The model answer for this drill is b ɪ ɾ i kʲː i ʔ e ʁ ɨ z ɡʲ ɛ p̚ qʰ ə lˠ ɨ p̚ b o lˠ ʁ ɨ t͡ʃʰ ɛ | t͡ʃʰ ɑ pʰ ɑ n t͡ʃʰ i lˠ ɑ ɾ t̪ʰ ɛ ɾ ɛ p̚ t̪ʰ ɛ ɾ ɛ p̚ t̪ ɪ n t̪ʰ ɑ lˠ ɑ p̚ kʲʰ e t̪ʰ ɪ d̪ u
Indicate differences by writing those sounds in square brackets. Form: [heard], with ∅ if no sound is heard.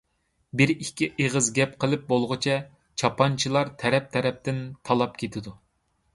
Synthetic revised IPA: b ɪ ɾ i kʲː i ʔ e ʁ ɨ z ɡʲ ɛ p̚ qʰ ə lˠ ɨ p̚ b o lˠ ʁ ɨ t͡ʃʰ ɛ | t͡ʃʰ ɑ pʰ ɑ n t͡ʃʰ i lˠ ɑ ɾ t̪ʰ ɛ ɾ ɛ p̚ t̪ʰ ɛ ɾ ɛ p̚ t̪ ɪ n t̪ʰ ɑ lˠ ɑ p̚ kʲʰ e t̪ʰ ɪ d̪ u